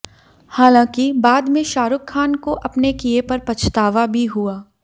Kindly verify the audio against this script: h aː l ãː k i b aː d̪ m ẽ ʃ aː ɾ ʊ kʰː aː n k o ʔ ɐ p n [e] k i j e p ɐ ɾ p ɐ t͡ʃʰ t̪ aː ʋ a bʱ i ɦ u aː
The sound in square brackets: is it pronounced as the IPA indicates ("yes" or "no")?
yes